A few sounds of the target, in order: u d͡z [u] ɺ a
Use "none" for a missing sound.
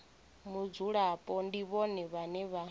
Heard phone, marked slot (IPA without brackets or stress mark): u